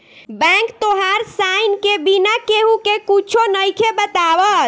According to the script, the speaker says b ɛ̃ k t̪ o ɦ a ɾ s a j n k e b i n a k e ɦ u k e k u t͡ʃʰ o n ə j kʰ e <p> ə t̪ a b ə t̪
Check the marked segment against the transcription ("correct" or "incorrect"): incorrect